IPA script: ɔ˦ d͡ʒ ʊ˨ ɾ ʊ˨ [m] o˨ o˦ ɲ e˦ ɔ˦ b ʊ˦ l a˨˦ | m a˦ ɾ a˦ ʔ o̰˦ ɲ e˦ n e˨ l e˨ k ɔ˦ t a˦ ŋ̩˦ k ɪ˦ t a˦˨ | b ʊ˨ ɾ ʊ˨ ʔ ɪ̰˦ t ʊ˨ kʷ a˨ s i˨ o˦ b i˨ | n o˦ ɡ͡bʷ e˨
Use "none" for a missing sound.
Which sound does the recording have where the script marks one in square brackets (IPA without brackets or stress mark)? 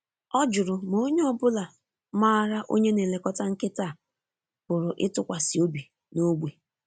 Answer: m